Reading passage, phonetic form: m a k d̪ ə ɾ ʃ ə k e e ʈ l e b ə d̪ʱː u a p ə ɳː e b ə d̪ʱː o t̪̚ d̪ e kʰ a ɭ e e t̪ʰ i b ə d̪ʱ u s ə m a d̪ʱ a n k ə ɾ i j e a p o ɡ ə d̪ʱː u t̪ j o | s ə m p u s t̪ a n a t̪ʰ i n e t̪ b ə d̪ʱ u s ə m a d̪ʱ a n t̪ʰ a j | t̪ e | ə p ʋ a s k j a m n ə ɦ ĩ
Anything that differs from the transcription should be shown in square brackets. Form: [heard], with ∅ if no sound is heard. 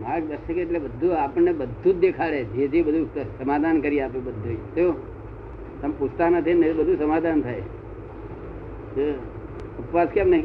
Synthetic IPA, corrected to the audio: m a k d̪ ə ɾ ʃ ə k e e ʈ l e b ə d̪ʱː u a p ə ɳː e b ə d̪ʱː [u] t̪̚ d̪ e kʰ a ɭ e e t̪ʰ i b ə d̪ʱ u s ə m a d̪ʱ a n k ə ɾ i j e a p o [b] ə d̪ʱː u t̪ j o | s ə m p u s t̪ a n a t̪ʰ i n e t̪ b ə d̪ʱ u s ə m a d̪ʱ a n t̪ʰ a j | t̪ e | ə p ʋ a s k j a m n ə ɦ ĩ